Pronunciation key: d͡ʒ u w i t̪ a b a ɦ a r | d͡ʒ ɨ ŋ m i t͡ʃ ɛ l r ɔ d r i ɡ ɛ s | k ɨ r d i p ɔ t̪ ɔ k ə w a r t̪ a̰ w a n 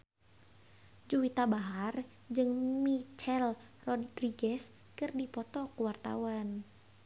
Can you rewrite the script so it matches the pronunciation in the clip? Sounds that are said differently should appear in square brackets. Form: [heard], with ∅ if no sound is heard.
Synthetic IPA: d͡ʒ u w i t̪ a b a ɦ a r | d͡ʒ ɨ ŋ m i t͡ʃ ɛ l r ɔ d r i ɡ ɛ s | k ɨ r d i p ɔ t̪ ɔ k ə w a r t̪ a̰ w a n